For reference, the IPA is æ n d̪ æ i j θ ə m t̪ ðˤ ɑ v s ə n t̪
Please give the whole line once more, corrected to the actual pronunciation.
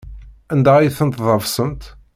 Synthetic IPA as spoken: æ n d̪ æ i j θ ə n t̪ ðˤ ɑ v s ə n t̪

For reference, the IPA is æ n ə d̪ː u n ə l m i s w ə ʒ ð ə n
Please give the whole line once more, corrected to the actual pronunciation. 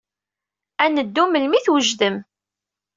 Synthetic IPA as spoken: æ n ə d̪ː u m ə l m i θ w ə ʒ ð ə m

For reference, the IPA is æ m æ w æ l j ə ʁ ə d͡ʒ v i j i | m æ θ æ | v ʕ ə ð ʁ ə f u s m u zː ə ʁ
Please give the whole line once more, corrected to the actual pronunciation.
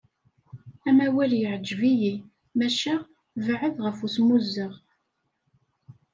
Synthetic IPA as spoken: æ m æ w æ l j ə ʕ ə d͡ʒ v i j i | m æ ʃ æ | v ʕ ə ð ʁ ə f u s m u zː ə ʁ

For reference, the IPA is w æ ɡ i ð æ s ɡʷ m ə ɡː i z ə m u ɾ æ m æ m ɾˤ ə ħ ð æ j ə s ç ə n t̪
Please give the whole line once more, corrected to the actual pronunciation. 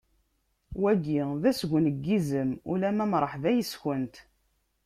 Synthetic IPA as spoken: w æ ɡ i ð æ s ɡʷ n ə ɡː i z ə m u l æ m æ m ɾˤ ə ħ ð æ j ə s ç ə n t̪

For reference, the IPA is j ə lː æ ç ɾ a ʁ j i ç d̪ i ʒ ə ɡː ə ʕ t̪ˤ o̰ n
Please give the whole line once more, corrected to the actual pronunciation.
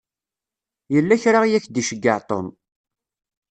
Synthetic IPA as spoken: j ə lː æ ç ɾ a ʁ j æ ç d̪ i ʃ ə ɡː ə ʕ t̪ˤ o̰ n

